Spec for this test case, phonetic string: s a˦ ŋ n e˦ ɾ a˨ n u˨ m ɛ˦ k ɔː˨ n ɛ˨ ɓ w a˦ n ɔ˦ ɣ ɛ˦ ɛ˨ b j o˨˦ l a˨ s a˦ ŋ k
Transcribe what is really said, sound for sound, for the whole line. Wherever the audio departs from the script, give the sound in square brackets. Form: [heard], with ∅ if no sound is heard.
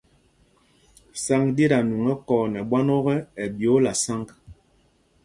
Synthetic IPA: s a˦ ŋ [d] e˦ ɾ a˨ n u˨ [ŋ] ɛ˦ k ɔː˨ n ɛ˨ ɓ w a˦ n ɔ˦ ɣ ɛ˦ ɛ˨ b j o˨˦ l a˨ s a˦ ŋ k